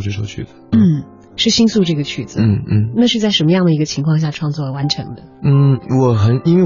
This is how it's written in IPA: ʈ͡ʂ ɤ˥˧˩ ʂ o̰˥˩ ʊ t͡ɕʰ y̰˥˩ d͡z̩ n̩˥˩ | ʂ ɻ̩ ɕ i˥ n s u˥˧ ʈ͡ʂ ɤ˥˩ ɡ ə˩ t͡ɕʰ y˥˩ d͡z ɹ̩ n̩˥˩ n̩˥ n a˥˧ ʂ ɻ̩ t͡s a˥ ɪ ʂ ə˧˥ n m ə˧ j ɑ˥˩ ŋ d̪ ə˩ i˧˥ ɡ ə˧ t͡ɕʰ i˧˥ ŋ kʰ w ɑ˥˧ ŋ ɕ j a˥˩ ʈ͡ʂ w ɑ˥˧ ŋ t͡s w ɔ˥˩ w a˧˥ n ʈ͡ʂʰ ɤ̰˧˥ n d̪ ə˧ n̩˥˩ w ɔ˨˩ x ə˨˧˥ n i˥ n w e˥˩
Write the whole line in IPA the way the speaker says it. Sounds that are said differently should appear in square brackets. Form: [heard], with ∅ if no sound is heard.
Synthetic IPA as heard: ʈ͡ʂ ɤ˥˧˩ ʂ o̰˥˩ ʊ t͡ɕʰ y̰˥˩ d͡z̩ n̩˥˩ | ʂ ɻ̩ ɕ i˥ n s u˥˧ ʈ͡ʂ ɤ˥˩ ɡ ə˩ t͡ɕʰ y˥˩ d͡z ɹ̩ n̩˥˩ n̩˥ n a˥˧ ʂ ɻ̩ t͡s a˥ ɪ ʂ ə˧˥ n m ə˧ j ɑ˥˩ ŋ d̪ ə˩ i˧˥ ɡ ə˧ t͡ɕʰ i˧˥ ŋ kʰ w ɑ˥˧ ŋ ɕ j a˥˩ [ʈ͡ʂʰ] w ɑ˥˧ ŋ t͡s w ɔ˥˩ w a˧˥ n ʈ͡ʂʰ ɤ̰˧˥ [ŋ] d̪ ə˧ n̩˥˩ w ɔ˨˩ x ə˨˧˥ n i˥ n w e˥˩